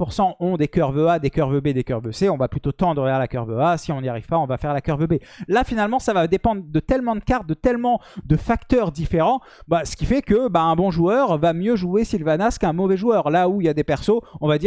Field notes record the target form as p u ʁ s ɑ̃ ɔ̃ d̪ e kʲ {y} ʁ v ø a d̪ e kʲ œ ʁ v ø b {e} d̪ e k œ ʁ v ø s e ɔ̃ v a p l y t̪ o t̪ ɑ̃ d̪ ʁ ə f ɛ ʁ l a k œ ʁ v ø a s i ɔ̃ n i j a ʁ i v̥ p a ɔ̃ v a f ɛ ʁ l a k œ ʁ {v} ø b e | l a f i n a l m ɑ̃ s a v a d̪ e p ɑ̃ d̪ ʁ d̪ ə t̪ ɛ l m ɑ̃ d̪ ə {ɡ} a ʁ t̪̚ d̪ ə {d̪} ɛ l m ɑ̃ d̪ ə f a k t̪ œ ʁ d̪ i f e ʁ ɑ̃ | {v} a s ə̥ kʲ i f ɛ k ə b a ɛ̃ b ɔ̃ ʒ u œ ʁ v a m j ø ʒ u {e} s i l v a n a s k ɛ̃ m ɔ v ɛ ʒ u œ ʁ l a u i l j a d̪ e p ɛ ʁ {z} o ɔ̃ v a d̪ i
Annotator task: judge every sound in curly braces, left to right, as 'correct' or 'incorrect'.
incorrect: œ, correct, correct, incorrect: k, incorrect: t̪, incorrect: b, correct, incorrect: s

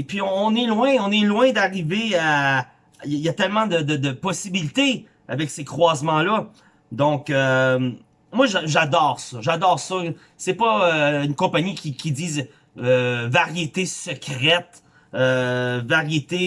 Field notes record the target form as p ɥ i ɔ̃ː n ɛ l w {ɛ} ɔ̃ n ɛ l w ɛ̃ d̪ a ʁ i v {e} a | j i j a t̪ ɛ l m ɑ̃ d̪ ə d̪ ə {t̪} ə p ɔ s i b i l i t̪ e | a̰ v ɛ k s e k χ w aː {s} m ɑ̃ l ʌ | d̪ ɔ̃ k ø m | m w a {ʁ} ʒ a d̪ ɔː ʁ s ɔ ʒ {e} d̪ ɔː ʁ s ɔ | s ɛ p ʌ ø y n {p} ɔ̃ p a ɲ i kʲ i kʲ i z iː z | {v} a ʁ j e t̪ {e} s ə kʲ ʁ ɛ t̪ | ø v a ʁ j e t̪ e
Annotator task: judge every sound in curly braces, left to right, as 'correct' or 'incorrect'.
incorrect: ɛ̃, correct, incorrect: d̪, incorrect: z, incorrect: ʒ, incorrect: a, incorrect: k, correct, correct

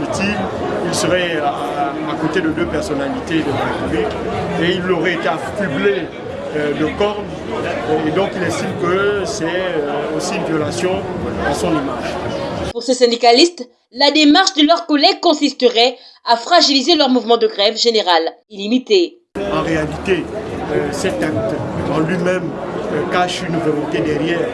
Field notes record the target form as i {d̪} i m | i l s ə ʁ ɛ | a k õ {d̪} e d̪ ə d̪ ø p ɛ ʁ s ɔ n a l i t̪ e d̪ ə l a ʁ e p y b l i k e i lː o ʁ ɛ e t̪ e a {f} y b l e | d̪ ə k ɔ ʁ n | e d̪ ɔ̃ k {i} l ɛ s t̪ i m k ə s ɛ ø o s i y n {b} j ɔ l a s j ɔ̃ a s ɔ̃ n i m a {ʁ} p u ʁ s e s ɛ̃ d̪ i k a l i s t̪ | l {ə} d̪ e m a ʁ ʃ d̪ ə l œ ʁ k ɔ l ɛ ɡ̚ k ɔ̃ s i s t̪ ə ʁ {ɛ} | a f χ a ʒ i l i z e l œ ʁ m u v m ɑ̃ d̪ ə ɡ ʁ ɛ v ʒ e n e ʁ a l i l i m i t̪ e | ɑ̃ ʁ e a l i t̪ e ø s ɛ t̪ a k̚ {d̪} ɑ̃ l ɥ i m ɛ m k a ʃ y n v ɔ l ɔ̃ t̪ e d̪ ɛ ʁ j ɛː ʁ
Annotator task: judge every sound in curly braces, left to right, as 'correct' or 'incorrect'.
incorrect: t̪, incorrect: t̪, correct, correct, incorrect: v, incorrect: ʒ, incorrect: a, correct, incorrect: t̪

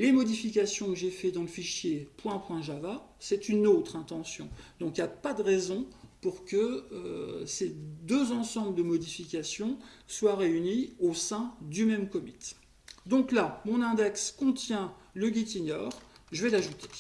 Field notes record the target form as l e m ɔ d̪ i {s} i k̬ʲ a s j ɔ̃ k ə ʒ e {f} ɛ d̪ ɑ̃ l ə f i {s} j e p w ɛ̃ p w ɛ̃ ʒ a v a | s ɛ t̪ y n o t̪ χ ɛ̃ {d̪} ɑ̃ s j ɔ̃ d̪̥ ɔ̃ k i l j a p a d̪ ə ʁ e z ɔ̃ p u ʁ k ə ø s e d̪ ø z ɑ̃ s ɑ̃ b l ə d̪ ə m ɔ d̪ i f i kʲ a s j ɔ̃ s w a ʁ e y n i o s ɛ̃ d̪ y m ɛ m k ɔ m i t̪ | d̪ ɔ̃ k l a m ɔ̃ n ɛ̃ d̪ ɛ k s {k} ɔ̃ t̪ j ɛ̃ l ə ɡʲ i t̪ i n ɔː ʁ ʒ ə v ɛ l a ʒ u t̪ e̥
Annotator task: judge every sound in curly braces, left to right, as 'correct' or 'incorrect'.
incorrect: f, correct, incorrect: ʃ, incorrect: t̪, correct

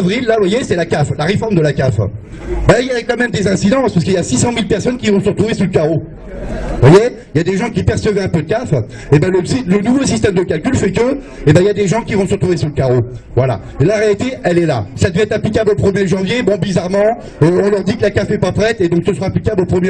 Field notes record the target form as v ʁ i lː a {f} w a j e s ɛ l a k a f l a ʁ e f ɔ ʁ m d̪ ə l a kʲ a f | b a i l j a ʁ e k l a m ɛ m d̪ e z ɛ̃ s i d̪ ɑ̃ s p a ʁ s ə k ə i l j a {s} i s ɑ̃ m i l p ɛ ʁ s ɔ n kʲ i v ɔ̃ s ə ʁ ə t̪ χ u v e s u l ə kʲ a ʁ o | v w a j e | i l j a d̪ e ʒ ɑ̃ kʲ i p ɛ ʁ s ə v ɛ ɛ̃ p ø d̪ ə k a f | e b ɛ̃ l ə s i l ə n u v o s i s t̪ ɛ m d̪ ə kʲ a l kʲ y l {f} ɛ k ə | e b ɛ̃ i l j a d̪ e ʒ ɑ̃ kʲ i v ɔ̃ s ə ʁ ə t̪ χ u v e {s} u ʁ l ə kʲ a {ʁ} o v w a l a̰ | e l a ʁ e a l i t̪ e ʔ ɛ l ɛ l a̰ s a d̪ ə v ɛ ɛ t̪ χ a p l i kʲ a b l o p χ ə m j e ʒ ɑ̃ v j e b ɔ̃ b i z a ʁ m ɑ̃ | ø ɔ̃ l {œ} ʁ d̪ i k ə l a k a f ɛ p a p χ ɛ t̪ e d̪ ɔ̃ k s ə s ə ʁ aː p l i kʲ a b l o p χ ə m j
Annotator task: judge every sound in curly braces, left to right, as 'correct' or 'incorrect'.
incorrect: v, correct, correct, correct, correct, correct

